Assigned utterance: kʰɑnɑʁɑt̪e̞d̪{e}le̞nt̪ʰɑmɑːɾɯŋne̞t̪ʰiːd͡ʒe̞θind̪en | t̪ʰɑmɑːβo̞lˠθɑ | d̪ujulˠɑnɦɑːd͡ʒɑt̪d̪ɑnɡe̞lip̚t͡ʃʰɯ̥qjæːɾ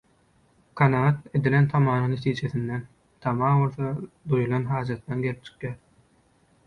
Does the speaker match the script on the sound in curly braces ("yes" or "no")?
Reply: no